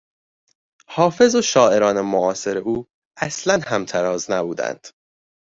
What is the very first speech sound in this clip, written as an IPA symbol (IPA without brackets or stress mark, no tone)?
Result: h